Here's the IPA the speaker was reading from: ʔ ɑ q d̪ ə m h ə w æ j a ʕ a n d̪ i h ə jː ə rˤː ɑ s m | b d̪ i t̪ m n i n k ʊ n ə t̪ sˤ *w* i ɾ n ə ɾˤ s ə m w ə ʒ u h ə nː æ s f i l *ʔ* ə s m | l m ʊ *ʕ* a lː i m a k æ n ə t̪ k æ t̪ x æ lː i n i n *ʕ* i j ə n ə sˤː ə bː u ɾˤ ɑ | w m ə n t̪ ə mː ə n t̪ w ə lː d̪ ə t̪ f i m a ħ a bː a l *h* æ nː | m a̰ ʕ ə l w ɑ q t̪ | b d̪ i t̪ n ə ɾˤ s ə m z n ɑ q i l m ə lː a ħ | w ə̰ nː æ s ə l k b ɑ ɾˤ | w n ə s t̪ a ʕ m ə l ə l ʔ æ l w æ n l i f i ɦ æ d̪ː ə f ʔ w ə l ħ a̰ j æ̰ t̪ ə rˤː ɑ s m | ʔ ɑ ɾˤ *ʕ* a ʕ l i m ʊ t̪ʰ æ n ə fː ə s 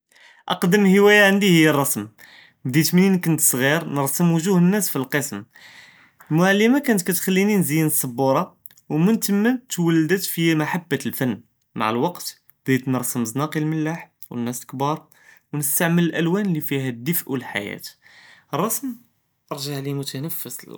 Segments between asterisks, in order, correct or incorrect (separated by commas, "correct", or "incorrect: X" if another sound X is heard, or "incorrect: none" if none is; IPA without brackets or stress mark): incorrect: ɣ, incorrect: q, correct, incorrect: z, incorrect: f, incorrect: ʒ